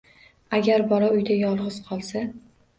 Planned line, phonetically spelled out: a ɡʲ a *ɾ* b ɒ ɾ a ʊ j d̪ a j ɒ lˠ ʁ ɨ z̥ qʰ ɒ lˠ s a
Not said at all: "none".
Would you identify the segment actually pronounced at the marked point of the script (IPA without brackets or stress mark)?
ɾ